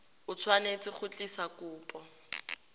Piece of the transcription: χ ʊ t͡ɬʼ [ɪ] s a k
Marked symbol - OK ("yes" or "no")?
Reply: no